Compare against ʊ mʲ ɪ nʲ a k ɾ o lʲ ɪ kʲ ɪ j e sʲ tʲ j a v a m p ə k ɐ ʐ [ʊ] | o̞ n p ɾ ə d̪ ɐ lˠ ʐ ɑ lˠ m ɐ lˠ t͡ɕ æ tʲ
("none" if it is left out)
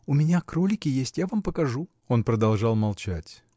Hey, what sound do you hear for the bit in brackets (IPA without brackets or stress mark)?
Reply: u